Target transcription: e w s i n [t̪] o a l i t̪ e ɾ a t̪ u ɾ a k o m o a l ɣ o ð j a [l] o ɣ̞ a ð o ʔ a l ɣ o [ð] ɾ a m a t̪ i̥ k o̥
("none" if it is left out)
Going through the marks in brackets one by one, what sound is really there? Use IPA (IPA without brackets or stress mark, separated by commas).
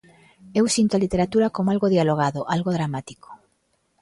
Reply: t̪, l, ð